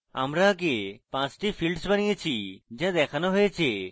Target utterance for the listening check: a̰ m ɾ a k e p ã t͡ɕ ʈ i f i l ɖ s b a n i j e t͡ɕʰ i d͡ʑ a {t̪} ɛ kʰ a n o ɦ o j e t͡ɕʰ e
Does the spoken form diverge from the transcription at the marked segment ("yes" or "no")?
yes